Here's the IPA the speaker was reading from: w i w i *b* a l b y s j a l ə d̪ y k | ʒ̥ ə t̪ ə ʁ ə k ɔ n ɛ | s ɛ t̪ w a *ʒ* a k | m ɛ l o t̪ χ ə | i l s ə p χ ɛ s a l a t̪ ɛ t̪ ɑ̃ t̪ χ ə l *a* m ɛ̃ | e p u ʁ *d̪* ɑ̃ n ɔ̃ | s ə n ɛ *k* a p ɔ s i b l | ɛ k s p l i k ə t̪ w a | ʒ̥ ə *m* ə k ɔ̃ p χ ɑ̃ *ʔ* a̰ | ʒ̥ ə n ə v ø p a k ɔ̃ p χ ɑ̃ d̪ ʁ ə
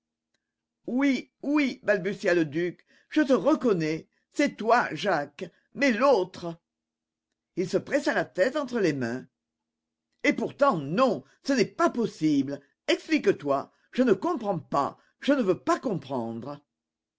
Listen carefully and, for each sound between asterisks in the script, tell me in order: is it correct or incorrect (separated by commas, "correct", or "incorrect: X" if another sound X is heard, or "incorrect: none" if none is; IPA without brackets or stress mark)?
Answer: correct, correct, incorrect: e, incorrect: t̪, incorrect: p, incorrect: n, incorrect: p